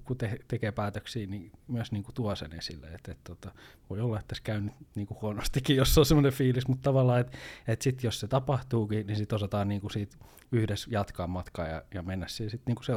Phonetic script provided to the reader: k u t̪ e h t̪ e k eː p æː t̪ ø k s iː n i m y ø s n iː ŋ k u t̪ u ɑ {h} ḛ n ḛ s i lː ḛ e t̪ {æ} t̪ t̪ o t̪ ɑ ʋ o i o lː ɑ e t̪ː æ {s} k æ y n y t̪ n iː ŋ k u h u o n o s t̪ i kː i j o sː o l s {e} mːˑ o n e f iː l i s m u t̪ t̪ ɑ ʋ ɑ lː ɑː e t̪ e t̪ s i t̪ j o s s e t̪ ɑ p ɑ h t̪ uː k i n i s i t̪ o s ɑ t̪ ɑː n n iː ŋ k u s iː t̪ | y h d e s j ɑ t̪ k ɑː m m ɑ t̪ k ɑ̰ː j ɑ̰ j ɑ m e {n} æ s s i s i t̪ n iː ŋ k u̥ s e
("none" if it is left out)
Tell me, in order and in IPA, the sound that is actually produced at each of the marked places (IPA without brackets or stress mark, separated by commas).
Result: s, e, s, e, nː